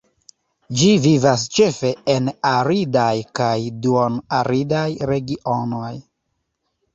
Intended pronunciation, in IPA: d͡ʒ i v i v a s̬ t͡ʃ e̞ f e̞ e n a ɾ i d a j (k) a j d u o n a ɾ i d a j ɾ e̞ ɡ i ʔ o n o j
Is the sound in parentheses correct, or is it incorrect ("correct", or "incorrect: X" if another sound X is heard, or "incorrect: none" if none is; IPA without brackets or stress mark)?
correct